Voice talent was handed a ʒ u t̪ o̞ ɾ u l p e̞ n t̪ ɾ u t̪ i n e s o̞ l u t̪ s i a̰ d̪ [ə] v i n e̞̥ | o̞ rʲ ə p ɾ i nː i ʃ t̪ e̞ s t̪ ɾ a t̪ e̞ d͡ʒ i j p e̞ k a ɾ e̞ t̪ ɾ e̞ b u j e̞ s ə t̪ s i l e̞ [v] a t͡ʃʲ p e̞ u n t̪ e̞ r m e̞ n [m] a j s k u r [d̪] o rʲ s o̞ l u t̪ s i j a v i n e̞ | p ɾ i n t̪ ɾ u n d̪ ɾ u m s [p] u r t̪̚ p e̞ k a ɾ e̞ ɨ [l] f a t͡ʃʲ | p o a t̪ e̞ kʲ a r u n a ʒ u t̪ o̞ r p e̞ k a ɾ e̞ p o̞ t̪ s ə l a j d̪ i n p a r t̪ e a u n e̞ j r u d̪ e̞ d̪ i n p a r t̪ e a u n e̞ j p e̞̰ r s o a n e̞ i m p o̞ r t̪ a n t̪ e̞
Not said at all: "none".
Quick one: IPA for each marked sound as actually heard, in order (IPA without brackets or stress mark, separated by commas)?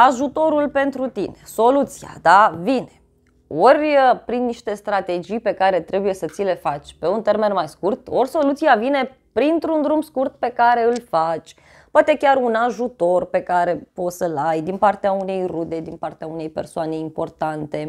a, f, m, t̪, k, l